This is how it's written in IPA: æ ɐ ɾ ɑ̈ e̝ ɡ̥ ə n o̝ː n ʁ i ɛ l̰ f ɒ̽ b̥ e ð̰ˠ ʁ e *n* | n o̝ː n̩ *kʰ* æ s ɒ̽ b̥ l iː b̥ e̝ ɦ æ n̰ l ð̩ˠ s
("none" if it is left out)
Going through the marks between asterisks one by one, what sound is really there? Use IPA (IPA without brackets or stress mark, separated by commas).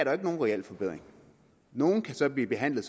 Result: ŋ, kʰ